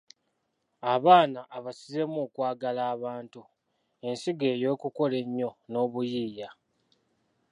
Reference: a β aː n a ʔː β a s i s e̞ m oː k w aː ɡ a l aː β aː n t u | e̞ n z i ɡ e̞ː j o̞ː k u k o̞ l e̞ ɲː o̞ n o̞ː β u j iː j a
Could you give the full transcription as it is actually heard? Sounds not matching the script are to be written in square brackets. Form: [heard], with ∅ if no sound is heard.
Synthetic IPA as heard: a β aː n a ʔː β a s i [z] e̞ m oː k w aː ɡ a l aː β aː n t u | e̞ n [s] i ɡ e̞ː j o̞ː k u k o̞ l e̞ ɲː o̞ n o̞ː β u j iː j a